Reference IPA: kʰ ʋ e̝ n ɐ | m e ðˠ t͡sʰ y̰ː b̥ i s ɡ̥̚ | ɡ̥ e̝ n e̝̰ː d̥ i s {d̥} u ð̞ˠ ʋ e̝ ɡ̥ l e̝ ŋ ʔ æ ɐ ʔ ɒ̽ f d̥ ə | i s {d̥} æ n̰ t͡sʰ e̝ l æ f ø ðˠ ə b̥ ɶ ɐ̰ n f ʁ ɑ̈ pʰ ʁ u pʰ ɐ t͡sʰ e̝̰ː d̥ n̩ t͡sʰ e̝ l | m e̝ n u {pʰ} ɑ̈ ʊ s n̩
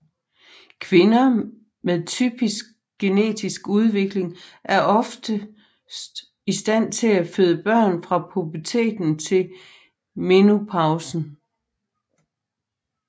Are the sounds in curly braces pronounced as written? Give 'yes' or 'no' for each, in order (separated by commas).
no, yes, yes